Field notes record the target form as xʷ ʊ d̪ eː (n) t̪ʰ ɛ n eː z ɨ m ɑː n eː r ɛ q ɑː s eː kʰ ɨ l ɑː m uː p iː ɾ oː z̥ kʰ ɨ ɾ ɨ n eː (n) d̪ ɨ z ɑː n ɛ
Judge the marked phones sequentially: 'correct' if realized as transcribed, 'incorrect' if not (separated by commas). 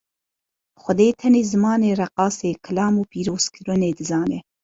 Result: incorrect, incorrect